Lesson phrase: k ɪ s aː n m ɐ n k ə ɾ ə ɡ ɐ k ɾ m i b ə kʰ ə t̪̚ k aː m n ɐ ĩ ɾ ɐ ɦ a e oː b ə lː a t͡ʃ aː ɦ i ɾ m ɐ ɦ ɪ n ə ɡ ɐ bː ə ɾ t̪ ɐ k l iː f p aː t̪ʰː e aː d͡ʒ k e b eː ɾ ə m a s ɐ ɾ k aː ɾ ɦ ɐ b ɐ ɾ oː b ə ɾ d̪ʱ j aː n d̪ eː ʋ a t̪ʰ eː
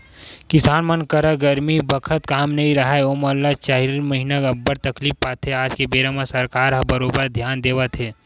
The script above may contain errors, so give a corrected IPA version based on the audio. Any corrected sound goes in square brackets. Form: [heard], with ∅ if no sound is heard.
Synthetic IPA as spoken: k ɪ s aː n m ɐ n k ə ɾ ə ɡ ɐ [∅] ɾ m i b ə kʰ ə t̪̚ k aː m n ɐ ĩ ɾ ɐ ɦ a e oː [m] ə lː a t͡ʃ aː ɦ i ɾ m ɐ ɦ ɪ n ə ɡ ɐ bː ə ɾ t̪ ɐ k l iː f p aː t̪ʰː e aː d͡ʒ k e b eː ɾ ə m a s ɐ ɾ k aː ɾ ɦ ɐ b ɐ ɾ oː b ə ɾ d̪ʱ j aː n d̪ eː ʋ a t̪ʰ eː